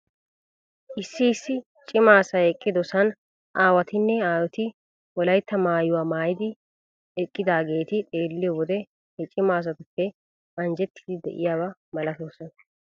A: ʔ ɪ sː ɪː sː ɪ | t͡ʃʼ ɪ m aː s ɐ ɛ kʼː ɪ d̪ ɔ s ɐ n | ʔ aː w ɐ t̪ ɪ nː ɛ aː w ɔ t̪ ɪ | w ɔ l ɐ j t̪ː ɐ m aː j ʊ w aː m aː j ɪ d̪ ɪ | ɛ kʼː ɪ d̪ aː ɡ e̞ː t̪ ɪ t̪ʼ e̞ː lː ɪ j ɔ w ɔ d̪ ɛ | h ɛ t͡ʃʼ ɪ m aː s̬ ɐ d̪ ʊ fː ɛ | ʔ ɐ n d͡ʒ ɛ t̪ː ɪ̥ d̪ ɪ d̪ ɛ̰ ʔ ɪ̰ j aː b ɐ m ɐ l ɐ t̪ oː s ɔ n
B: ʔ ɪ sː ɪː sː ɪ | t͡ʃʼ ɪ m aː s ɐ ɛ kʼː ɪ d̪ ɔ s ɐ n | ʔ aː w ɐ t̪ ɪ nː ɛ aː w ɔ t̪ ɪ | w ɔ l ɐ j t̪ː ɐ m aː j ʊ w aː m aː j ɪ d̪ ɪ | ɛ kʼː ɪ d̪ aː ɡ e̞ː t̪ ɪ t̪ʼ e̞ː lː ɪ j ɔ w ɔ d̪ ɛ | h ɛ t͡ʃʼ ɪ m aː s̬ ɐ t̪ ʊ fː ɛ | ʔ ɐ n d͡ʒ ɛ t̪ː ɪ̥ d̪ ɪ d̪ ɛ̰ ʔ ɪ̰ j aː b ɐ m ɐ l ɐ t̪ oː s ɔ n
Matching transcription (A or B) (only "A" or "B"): B